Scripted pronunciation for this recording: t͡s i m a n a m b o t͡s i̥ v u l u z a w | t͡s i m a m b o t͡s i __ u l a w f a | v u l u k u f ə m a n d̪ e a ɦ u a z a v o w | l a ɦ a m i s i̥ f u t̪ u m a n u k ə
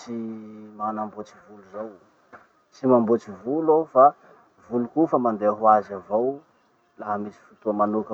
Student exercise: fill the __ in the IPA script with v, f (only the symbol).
v